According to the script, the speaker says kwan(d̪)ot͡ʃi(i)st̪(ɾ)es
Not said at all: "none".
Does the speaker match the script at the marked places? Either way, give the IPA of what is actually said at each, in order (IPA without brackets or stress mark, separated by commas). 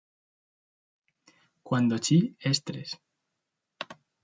d̪, e, ɾ